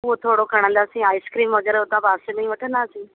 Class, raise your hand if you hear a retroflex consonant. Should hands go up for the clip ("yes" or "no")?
yes